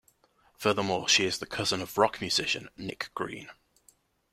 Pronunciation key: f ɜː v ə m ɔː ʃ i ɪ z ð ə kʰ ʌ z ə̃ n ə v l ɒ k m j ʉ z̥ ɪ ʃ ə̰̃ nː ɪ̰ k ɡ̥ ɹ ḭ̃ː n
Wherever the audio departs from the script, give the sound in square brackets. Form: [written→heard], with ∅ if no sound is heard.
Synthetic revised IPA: f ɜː [v→ð] ə m ɔː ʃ i ɪ z ð ə kʰ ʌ z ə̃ n ə v [l→ɹ] ɒ k m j ʉ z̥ ɪ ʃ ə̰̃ nː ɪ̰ k ɡ̥ ɹ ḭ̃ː n